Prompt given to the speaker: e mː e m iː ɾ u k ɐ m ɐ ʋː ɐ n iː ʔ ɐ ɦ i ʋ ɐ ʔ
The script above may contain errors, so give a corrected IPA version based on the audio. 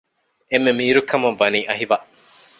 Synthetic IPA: e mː e m iː ɾ u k ɐ m ɐ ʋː ɐ n iː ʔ ɐ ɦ i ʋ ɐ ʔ